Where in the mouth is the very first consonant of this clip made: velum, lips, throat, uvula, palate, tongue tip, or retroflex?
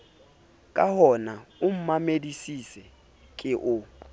velum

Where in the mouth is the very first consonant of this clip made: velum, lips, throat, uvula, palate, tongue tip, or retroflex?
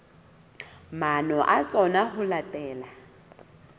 lips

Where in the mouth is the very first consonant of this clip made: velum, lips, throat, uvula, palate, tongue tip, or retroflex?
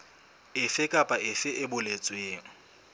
lips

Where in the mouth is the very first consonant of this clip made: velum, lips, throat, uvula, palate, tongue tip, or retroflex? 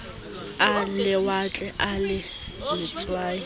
tongue tip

